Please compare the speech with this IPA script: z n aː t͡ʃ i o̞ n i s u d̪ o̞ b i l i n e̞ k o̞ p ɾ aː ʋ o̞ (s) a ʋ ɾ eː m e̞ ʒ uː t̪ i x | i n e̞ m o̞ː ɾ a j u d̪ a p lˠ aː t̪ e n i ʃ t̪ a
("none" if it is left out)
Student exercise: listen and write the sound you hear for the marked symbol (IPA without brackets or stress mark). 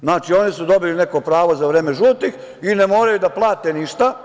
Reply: z